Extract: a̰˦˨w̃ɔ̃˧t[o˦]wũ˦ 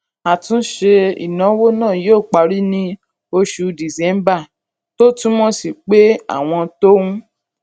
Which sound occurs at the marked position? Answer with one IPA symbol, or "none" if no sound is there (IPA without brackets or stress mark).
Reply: o˦